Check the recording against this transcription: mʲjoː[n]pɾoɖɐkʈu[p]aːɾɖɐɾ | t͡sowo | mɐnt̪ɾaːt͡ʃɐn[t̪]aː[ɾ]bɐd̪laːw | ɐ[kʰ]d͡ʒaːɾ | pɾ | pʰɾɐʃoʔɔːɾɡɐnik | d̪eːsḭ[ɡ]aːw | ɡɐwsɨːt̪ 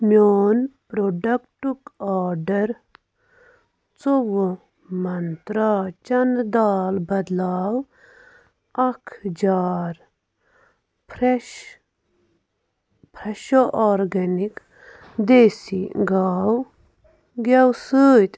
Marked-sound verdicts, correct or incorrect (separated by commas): correct, incorrect, incorrect, incorrect, correct, correct